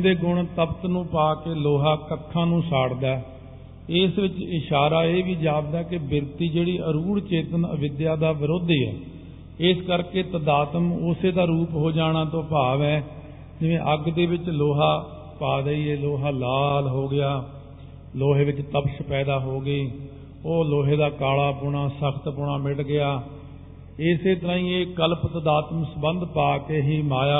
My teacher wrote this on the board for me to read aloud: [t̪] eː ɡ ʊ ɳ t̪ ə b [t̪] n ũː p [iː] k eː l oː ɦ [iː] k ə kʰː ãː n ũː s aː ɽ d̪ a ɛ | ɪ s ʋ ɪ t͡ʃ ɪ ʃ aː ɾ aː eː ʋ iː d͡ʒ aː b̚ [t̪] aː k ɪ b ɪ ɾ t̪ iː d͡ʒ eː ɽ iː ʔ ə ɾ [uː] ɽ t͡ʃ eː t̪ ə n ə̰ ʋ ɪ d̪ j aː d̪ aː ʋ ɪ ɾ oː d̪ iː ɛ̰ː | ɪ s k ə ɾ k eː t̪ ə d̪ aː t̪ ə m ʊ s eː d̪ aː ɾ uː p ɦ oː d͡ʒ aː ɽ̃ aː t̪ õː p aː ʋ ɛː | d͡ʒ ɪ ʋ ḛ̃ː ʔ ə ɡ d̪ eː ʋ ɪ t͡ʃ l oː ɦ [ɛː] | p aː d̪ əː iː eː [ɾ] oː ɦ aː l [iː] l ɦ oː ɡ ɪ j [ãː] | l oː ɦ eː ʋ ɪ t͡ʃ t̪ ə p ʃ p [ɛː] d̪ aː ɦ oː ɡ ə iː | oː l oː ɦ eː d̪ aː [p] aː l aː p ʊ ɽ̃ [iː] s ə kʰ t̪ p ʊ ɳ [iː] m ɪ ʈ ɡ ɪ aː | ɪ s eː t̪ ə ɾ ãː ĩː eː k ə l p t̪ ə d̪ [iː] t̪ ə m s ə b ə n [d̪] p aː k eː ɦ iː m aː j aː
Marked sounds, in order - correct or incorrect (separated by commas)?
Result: incorrect, correct, incorrect, incorrect, incorrect, correct, incorrect, incorrect, incorrect, incorrect, correct, incorrect, incorrect, incorrect, incorrect, correct